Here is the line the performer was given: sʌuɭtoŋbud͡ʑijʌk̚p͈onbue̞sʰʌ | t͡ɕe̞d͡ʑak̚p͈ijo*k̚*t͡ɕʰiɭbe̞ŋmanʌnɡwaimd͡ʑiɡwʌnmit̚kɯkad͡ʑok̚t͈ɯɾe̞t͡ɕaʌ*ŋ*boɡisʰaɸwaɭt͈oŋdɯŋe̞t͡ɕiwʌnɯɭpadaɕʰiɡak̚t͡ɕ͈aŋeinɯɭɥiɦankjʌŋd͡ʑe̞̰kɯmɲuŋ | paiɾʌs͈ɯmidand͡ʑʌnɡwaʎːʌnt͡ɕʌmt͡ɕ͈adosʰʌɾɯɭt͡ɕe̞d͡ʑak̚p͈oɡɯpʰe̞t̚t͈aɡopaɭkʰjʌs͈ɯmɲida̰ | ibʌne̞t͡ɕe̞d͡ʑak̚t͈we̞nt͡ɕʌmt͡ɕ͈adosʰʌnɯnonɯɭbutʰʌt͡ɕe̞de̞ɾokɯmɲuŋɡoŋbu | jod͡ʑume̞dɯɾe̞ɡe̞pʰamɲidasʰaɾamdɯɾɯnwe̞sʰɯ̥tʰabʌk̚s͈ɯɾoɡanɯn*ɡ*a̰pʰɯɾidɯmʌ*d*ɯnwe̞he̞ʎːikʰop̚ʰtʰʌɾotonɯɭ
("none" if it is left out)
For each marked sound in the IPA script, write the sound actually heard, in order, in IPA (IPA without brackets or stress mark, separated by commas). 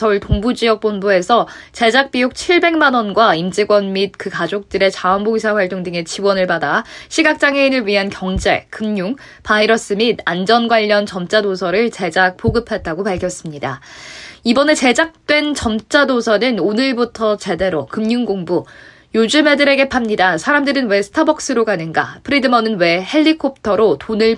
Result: k̚, n, ɡ, n